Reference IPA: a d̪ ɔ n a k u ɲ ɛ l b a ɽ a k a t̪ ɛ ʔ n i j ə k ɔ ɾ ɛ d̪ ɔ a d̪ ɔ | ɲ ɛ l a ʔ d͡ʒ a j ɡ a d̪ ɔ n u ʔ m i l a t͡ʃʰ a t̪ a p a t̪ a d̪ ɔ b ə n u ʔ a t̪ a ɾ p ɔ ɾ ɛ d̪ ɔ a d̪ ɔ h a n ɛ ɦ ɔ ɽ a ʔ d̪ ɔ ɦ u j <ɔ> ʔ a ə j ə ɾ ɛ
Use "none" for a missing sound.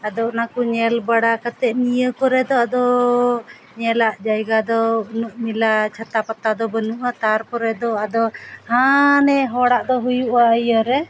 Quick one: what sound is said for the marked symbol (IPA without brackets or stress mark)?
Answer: u